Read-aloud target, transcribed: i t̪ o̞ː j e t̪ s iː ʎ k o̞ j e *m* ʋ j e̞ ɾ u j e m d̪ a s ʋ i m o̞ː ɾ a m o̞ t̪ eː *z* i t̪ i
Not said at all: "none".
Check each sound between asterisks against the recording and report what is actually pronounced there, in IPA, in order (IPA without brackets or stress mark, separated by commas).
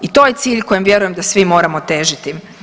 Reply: m, ʒ